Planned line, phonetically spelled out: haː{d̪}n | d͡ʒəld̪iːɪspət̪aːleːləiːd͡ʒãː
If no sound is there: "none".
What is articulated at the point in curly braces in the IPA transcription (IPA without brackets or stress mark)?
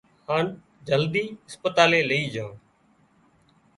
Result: none